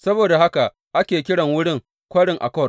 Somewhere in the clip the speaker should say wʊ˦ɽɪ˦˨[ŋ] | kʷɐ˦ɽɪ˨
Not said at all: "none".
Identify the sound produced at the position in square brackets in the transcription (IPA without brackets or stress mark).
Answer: ŋ